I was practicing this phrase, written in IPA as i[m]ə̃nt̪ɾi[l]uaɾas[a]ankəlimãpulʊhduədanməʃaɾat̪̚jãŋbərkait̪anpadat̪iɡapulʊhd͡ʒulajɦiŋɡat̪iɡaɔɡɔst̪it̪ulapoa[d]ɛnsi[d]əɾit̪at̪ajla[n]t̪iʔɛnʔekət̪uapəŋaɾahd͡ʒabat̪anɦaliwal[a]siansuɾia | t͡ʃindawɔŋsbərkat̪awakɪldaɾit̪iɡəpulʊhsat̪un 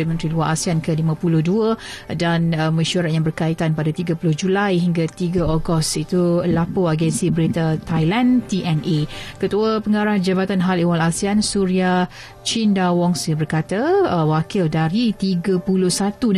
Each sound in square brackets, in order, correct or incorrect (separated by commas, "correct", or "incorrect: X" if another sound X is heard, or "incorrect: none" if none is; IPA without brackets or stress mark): correct, correct, incorrect: i, incorrect: ɡ, incorrect: b, correct, correct